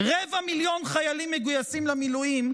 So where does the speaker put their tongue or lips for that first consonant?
uvula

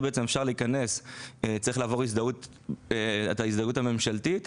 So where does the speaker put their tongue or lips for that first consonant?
lips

